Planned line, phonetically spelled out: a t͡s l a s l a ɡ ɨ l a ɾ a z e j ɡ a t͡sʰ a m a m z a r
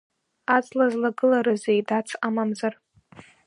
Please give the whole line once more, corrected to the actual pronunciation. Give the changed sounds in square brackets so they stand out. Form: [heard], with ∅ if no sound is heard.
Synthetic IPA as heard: a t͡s l a [z] l a ɡ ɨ l a ɾ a z e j [d] a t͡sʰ a m a m z a r